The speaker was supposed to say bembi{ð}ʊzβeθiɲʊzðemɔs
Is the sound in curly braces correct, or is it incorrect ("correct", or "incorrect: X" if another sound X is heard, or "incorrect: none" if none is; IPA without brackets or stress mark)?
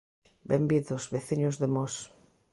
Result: correct